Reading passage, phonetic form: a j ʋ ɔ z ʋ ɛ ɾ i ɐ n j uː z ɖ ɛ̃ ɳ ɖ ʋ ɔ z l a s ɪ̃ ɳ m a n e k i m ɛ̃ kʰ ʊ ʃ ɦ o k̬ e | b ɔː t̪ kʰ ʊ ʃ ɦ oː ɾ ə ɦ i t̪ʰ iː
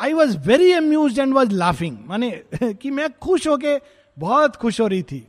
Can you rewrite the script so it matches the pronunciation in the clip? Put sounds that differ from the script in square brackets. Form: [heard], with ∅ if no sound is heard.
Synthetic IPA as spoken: a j ʋ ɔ z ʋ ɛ ɾ i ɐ [m] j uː z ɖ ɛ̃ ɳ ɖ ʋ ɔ z l a [f] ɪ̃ [ŋ] m a n e k i m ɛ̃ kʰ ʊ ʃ ɦ o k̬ e | b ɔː t̪ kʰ ʊ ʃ ɦ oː ɾ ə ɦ i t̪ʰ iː